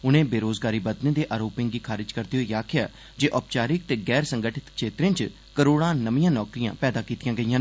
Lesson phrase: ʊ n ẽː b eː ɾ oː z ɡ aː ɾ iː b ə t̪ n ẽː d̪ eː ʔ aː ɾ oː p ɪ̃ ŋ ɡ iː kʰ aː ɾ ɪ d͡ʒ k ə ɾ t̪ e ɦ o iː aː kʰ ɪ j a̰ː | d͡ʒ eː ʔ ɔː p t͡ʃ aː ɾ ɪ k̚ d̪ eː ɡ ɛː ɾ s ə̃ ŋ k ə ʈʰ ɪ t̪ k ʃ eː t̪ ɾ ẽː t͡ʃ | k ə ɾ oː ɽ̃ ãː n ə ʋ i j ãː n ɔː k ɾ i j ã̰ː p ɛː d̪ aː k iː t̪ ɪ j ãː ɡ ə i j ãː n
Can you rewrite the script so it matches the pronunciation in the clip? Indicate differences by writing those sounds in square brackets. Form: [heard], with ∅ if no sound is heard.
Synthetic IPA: ʊ n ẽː b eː ɾ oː z ɡ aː ɾ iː b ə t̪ n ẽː d̪ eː ʔ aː ɾ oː p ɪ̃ ŋ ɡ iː kʰ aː ɾ ɪ d͡ʒ k ə ɾ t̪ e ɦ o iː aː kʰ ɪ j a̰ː | d͡ʒ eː ʔ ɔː p t͡ʃ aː ɾ ɪ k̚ [t̪] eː ɡ ɛː ɾ s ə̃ ŋ [ɡ] ə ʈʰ ɪ t̪ k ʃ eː t̪ ɾ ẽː t͡ʃ | k ə ɾ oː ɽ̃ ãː n ə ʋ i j ãː n ɔː k ɾ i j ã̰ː p ɛː d̪ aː k iː t̪ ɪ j ãː ɡ ə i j ãː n

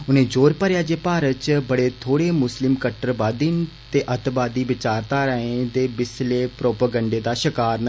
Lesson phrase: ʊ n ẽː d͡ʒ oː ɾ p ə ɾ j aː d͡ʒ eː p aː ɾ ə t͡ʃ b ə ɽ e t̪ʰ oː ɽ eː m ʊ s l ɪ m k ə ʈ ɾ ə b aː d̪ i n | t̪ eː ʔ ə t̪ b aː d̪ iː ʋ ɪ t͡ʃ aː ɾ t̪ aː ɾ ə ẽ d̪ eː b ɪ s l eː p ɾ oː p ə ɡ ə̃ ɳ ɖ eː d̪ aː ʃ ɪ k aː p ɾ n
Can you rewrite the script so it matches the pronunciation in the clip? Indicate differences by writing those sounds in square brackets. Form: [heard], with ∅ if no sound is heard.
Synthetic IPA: ʊ n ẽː d͡ʒ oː ɾ p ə ɾ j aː d͡ʒ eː p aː ɾ ə t͡ʃ b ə ɽ e t̪ʰ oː ɽ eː m ʊ s l ɪ m k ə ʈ ɾ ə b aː d̪ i n | t̪ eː ʔ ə t̪ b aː d̪ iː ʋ ɪ t͡ʃ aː ɾ t̪ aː ɾ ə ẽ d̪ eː b ɪ s l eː p ɾ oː p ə ɡ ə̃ ɳ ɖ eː d̪ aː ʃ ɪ k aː [∅] ɾ n

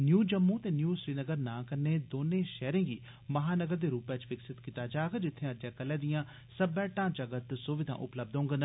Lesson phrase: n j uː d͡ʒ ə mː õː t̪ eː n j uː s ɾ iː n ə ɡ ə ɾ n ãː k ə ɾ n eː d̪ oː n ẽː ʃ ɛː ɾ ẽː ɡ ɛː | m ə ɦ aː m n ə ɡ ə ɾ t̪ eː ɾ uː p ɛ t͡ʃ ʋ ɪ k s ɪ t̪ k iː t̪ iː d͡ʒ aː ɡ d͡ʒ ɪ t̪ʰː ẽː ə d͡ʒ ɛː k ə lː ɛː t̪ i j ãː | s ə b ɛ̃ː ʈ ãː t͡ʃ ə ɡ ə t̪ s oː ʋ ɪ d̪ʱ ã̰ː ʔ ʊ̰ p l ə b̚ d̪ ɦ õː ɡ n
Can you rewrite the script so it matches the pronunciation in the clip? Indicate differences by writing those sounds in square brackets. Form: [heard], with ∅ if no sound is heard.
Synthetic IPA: n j uː d͡ʒ ə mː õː t̪ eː n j uː s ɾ iː n ə ɡ ə ɾ n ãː k ə ɾ n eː d̪ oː n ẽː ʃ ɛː ɾ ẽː ɡ [iː] | m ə ɦ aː [∅] n ə ɡ ə ɾ [d̪] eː ɾ uː p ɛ t͡ʃ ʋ ɪ k s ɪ t̪ k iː t̪ [aː] d͡ʒ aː ɡ d͡ʒ ɪ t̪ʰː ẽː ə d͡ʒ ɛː k ə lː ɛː [d̪] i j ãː | s ə b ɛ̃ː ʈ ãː t͡ʃ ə ɡ ə t̪ s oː ʋ ɪ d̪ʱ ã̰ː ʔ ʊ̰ p l ə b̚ d̪ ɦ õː ɡ n

